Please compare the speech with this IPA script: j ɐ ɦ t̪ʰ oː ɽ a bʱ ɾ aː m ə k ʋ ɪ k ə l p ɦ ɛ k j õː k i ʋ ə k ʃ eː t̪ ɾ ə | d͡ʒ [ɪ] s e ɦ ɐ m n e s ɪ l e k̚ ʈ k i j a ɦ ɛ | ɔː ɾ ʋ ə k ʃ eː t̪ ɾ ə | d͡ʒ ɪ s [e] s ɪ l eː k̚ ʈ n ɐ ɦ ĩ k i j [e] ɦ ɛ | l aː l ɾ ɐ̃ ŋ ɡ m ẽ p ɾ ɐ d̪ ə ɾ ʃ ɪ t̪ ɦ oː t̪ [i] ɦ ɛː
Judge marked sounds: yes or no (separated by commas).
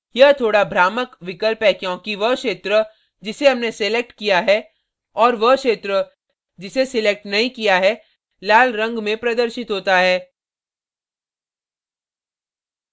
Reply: yes, yes, no, no